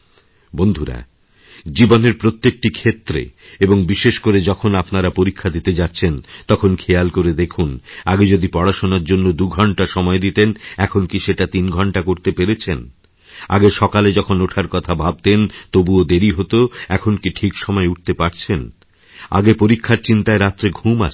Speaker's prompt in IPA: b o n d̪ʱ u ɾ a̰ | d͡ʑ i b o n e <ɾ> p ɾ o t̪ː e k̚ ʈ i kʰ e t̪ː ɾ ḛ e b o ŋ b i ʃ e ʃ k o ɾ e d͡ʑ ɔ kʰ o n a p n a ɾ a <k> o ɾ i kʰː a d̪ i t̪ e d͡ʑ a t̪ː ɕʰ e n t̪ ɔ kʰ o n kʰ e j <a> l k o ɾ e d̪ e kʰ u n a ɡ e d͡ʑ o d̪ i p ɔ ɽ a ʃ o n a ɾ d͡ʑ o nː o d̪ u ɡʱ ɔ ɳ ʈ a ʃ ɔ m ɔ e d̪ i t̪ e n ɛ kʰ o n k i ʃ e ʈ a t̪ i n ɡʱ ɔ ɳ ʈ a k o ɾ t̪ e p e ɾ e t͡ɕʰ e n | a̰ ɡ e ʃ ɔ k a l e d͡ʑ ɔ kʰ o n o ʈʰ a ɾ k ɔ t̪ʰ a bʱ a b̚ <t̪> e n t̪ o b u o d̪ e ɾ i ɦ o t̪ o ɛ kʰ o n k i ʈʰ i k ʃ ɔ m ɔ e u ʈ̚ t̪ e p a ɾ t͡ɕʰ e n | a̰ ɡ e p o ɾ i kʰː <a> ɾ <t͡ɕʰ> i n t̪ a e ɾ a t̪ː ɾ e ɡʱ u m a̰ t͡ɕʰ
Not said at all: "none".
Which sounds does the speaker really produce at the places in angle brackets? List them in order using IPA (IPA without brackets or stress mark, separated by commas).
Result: ɾ, p, a, t̪, a, t͡ɕ